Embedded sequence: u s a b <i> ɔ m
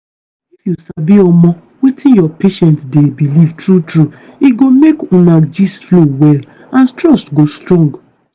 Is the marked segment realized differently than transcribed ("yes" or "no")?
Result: no